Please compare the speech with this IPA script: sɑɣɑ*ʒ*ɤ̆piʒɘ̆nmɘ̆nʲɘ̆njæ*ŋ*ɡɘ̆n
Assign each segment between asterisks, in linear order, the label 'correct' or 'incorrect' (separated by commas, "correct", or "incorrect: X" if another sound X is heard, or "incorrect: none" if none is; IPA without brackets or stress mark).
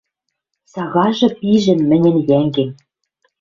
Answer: correct, correct